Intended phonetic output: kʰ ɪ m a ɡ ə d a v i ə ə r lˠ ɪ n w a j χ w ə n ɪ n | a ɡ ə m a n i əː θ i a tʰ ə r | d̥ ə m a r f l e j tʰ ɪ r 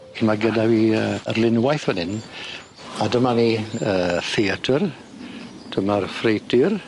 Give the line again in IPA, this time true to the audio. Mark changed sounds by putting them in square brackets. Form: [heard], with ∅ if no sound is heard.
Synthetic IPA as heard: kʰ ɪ m a ɡ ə d a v i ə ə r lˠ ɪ n w a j [θ] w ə n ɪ n | a [d] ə m a n i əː θ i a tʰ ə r | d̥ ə m a r f [r] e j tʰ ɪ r